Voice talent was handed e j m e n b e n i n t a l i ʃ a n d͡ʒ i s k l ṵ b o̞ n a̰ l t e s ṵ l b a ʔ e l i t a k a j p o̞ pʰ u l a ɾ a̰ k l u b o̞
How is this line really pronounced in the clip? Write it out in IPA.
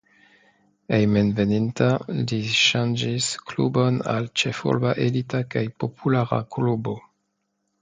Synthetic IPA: e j m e n v e n i n t a l i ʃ a n d͡ʒ i s k l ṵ b o̞ n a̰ l t͡ʃ e f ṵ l b a ʔ e l i t a k a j p o̞ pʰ u l a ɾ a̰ k l u b o̞